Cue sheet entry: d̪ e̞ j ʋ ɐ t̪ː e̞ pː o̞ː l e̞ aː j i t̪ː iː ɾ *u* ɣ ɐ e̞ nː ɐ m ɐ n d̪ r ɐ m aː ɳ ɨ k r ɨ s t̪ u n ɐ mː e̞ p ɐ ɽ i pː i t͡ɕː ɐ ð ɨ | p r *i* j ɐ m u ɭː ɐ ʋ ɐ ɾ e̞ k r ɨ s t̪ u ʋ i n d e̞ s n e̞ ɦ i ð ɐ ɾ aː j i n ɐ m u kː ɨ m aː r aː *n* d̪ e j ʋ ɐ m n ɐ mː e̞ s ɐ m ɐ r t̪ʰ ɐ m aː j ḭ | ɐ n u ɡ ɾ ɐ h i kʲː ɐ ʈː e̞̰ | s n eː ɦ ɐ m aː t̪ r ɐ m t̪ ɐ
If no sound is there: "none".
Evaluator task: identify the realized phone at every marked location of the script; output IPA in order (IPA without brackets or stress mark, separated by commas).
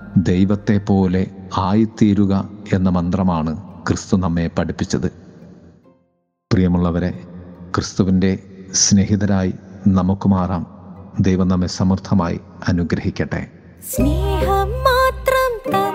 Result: u, i, m